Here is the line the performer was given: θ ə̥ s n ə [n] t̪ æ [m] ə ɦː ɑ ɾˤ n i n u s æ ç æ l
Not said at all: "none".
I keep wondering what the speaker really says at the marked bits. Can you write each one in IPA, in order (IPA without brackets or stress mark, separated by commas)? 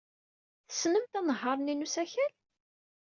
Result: m, n